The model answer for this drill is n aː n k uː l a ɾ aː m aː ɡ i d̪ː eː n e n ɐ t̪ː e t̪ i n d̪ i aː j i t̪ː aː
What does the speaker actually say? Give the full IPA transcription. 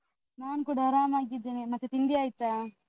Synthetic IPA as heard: n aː n k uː ɽ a ɾ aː m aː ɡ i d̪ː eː n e m ɐ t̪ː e t̪ i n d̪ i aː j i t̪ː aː